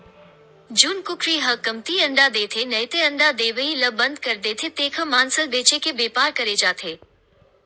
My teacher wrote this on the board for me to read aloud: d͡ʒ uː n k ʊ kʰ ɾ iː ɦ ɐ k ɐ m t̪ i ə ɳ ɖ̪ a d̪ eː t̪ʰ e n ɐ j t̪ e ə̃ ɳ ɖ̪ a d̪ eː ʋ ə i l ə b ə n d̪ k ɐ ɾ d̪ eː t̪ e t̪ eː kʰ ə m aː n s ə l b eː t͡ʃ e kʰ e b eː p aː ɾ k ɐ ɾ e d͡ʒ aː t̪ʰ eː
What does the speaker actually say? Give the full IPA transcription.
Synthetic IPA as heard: d͡ʒ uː n k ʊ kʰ ɾ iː ɦ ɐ k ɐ m t̪ i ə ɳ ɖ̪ a d̪ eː t̪ʰ e n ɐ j t̪ e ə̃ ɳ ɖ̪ a d̪ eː ʋ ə i l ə b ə n d̪ k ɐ ɾ d̪ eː t̪ʰ e t̪ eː kʰ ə m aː n s ə l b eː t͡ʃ e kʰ e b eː p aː ɾ k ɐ ɾ e d͡ʒ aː t̪ʰ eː